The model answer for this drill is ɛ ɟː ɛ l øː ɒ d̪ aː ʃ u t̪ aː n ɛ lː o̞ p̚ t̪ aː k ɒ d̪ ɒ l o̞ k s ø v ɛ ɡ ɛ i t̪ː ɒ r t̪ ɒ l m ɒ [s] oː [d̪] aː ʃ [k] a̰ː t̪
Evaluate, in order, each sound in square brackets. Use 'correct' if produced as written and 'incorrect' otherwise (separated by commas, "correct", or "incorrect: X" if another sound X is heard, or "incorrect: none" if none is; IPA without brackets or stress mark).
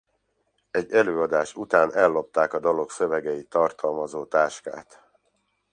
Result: incorrect: z, incorrect: t̪, correct